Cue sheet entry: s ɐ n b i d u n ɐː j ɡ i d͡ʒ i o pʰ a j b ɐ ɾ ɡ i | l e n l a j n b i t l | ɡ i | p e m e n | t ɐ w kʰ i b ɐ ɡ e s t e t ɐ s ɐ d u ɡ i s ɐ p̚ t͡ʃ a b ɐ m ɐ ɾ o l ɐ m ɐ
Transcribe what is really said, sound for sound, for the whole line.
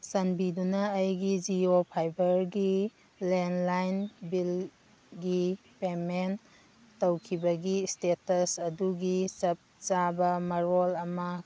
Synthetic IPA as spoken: s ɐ n b i d u n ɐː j ɡ i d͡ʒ i o pʰ a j b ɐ ɾ ɡ i | l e n l a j n b i l | ɡ i | p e m e n | t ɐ w kʰ i b ɐ ɡ i s t e t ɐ s ɐ d u ɡ i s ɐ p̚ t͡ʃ a b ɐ m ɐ ɾ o l ɐ m ɐ